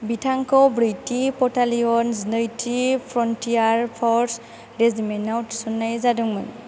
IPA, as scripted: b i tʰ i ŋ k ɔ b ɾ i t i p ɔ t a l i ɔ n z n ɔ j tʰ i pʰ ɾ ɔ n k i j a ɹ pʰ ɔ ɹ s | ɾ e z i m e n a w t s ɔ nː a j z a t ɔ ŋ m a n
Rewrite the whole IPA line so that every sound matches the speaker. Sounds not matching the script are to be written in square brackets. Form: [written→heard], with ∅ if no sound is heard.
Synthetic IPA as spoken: b i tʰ [i→a] ŋ k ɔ b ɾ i t i p ɔ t a l i ɔ n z n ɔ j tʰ i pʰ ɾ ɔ n [k→t] i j a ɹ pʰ ɔ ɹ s | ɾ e z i m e n a w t s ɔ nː a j z a [t→d] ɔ ŋ m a n